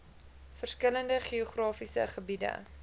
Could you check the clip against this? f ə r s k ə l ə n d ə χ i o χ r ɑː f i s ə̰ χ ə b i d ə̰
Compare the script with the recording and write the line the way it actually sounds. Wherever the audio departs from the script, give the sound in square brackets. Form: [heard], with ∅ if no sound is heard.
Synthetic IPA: f ə r s k ə l ə n d ə χ i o χ r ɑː f i s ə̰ χ ə b i d ə̰